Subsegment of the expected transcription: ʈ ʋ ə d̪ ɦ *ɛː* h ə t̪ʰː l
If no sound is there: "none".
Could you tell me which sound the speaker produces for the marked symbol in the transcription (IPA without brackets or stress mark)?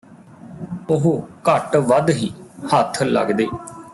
iː